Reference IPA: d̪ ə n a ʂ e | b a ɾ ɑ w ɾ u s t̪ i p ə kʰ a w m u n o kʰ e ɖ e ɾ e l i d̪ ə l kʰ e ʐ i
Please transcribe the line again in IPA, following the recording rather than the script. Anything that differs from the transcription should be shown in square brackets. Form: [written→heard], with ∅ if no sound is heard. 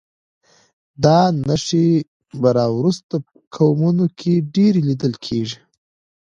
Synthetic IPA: d̪ [ə→ɑ] n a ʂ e | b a ɾ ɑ w ɾ u s t̪ [i→a] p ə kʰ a w m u n o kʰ e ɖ e ɾ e l i d̪ ə l kʰ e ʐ i